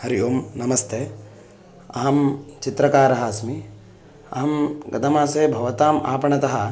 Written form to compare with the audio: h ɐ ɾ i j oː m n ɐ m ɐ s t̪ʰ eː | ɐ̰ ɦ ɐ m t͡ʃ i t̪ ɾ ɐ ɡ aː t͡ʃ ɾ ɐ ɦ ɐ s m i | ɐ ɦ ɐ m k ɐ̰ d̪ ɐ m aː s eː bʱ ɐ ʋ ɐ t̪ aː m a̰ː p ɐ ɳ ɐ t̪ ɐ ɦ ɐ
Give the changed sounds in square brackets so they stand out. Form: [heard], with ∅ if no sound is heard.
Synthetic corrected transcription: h ɐ ɾ i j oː m n ɐ m ɐ s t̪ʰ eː | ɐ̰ ɦ ɐ m t͡ʃ i t̪ ɾ ɐ [k] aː [∅] ɾ ɐ ɦ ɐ s m i | ɐ ɦ ɐ m [ɡ] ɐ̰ d̪ ɐ m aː s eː bʱ ɐ ʋ ɐ t̪ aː m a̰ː p ɐ ɳ ɐ t̪ ɐ ɦ ɐ